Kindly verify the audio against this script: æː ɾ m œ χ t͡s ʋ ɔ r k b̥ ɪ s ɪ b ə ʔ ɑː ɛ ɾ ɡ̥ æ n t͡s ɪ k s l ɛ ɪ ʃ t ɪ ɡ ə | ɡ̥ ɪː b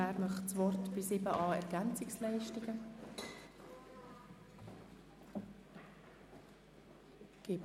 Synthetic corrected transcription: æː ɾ m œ χ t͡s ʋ ɔ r t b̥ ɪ s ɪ b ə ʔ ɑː ɛ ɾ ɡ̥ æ n t͡s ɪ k s l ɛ ɪ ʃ t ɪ ɡ ə | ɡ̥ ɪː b